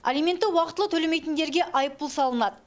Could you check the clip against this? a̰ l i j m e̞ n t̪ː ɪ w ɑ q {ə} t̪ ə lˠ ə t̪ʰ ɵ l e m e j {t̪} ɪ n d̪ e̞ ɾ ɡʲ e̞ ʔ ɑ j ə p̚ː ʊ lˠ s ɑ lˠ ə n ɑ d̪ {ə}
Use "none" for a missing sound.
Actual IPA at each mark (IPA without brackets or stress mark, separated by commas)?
ə, t̪, ə